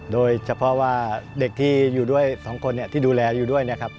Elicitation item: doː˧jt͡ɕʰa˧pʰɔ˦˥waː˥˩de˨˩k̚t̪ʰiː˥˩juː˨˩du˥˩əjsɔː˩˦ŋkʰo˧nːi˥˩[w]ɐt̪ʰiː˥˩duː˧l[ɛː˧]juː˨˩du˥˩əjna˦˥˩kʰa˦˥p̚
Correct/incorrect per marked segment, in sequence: incorrect, correct

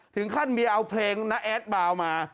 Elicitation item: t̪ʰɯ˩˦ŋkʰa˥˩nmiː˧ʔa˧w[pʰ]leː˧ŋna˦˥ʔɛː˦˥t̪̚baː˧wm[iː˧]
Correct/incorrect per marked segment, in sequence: correct, incorrect

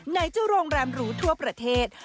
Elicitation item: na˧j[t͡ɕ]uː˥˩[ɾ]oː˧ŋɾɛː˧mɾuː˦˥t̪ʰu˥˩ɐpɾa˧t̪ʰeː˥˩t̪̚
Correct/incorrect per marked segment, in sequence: correct, correct

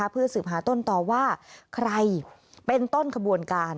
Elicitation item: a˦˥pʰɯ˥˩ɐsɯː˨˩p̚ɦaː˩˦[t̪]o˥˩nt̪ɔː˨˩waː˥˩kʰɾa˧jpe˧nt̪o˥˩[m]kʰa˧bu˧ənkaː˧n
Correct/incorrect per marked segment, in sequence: correct, incorrect

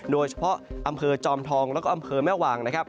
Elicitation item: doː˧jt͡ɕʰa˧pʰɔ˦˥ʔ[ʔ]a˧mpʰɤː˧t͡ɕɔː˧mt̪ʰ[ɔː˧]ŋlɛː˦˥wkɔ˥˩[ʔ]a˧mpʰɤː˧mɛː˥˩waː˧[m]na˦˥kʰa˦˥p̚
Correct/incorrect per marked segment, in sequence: correct, correct, correct, incorrect

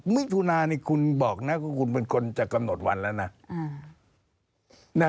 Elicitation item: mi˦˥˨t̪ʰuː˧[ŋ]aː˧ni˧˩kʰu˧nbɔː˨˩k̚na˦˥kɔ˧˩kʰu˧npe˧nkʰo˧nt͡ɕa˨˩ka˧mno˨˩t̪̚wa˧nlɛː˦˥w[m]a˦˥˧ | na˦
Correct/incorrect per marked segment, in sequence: incorrect, incorrect

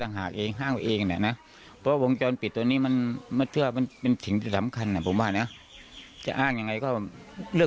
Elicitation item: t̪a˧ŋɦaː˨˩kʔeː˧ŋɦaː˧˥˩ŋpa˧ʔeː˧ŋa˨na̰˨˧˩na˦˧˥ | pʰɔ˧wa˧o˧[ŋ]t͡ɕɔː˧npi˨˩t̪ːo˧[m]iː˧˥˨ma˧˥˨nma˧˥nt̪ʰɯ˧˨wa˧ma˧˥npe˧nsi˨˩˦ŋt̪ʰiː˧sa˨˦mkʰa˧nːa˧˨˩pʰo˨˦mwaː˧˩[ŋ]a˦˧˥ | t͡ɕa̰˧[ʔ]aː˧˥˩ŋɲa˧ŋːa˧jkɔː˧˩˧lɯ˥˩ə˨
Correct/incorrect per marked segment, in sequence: correct, incorrect, incorrect, correct

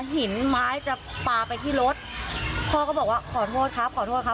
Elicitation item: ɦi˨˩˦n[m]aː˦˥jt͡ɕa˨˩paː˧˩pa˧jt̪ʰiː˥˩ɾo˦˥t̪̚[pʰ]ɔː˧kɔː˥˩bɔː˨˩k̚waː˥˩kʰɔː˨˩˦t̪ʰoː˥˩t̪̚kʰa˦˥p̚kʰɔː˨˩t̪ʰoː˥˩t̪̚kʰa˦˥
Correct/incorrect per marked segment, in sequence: correct, correct

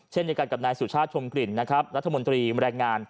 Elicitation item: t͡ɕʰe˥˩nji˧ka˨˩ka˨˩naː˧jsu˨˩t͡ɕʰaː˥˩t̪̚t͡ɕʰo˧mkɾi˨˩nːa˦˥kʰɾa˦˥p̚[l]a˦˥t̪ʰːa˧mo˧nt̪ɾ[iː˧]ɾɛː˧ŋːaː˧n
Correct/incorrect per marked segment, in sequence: incorrect, correct

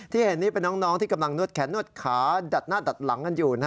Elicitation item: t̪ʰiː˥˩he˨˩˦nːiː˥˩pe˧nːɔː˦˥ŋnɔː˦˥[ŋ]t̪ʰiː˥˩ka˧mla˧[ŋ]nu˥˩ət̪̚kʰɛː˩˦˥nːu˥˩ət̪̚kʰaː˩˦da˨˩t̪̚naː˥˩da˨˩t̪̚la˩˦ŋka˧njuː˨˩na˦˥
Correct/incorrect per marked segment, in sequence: correct, correct

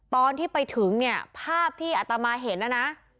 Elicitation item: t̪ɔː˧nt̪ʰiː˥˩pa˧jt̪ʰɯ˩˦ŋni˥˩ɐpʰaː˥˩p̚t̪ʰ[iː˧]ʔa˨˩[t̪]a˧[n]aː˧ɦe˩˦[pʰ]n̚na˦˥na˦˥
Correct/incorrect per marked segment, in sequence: incorrect, correct, incorrect, incorrect

